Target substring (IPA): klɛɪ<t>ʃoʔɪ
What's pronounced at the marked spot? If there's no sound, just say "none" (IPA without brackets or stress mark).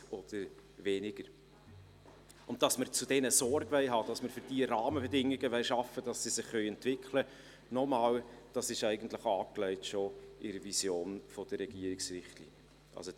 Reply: t